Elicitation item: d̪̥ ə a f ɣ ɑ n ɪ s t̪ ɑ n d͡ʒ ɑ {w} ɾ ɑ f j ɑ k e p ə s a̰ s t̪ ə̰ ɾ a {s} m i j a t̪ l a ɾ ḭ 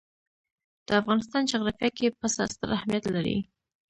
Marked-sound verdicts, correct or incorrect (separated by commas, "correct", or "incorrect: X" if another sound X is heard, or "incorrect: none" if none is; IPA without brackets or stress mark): incorrect: ɣ, incorrect: h